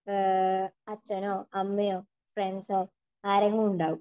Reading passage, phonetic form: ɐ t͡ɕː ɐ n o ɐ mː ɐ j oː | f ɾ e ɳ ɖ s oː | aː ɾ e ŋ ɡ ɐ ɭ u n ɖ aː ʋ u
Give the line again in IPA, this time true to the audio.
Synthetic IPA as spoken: ɐ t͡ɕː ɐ n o ɐ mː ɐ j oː | f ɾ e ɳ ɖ s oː | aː ɾ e ŋ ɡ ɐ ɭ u ɳ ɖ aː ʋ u